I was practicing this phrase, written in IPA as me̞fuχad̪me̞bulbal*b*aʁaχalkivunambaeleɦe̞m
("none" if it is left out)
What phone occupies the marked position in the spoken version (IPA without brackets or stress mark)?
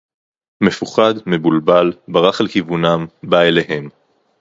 b